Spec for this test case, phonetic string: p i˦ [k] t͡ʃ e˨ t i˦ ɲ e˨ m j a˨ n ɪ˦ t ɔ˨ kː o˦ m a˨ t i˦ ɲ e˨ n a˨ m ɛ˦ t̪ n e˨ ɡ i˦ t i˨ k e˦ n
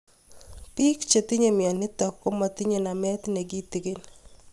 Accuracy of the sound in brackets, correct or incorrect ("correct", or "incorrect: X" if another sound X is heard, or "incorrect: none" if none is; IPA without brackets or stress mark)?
correct